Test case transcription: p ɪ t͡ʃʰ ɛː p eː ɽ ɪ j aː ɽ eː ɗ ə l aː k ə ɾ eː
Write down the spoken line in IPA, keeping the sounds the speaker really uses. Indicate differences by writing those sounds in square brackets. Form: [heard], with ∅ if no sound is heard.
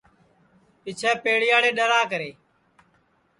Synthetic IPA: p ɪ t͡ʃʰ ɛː p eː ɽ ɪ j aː ɽ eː ɗ ə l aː k ə ɾ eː